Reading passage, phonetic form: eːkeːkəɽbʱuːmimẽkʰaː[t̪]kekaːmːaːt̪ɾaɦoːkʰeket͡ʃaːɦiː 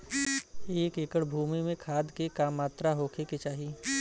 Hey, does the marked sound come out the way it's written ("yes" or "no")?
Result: no